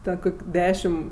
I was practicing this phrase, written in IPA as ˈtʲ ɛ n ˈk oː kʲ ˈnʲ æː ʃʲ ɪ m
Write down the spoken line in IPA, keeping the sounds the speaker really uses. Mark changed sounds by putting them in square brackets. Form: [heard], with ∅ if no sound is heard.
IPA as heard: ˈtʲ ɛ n ˈk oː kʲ [ˈdʲ] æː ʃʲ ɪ m